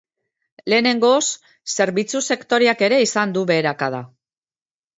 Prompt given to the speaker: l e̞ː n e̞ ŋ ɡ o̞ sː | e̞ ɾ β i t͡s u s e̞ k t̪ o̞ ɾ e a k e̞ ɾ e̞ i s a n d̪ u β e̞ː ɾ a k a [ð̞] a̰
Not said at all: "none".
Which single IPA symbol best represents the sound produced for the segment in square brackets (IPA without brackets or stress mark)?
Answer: ð̞